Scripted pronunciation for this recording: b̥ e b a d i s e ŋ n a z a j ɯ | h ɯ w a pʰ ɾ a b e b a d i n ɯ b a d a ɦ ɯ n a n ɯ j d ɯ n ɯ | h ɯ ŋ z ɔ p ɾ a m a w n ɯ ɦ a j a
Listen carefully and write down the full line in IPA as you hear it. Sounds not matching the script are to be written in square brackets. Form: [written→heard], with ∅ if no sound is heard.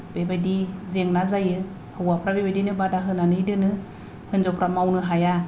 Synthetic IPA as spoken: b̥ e b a d i [s→z] e ŋ n a z a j ɯ | h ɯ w a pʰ ɾ a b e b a d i n ɯ b a d a ɦ ɯ n a n ɯ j d ɯ n ɯ | h ɯ [ŋ→n] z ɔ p ɾ a m a w n ɯ ɦ a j a